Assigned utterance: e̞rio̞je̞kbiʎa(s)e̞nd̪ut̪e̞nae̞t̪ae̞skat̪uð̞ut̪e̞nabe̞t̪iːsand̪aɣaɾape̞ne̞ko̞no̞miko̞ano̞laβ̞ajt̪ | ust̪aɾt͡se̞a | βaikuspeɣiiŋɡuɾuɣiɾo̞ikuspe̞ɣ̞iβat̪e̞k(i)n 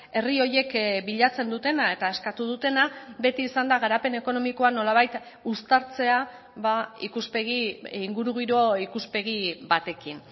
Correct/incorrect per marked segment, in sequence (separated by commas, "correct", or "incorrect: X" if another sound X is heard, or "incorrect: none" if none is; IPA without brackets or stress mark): incorrect: t͡s, correct